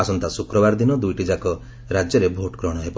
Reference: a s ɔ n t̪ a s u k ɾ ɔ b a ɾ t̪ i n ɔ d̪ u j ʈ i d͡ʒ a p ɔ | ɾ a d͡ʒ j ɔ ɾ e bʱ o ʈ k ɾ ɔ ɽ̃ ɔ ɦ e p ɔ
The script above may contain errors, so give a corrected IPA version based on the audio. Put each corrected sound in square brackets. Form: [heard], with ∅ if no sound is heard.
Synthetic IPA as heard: a s ɔ n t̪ a s u k ɾ ɔ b a ɾ [d̪] i n ɔ d̪ u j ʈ i d͡ʒ a [k] ɔ | ɾ a d͡ʒ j ɔ ɾ e bʱ o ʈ k ɾ ɔ ɽ̃ ɔ ɦ e p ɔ